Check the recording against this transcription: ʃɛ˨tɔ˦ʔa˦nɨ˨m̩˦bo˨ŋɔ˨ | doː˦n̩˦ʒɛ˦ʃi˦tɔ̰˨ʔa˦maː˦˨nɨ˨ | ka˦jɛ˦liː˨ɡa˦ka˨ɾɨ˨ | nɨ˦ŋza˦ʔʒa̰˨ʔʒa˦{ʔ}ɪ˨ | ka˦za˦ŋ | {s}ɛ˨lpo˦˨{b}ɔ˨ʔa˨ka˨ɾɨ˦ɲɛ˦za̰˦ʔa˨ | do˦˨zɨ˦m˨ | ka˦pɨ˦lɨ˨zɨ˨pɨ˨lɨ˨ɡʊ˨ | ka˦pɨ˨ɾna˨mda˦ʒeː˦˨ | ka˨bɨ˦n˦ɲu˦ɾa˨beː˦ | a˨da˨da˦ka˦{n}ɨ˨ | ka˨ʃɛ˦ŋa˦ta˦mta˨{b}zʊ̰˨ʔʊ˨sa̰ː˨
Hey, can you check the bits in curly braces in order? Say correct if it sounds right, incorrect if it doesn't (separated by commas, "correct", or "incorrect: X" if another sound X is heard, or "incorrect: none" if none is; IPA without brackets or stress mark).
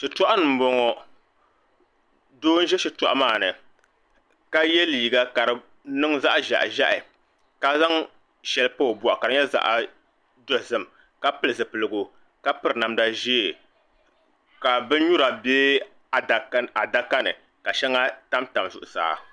correct, incorrect: ʃ, correct, correct, incorrect: m